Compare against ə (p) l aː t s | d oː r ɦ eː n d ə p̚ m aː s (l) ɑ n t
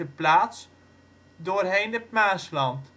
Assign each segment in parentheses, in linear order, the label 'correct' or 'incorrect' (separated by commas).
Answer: correct, correct